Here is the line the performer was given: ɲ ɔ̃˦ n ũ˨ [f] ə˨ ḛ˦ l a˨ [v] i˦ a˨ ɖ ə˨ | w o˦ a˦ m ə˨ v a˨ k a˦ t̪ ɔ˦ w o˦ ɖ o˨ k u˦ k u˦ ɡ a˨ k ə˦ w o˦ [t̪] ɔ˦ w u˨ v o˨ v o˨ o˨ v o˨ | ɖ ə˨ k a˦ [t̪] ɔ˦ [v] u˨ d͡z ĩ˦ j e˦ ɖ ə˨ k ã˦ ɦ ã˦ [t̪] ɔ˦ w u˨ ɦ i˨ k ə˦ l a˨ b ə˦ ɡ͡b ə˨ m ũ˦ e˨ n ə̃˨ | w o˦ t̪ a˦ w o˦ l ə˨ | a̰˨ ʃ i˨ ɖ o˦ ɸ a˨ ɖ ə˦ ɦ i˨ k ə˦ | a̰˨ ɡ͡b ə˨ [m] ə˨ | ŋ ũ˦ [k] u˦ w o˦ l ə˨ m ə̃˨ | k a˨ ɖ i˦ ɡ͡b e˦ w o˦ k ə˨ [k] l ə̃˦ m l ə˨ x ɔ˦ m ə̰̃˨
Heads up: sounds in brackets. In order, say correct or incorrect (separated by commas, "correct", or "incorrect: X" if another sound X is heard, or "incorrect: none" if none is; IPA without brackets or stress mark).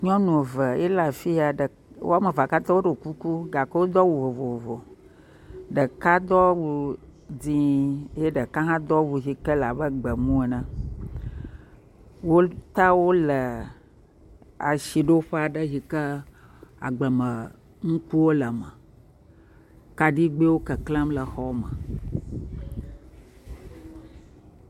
incorrect: v, incorrect: f, incorrect: d̪, incorrect: d̪, incorrect: w, incorrect: d̪, correct, correct, correct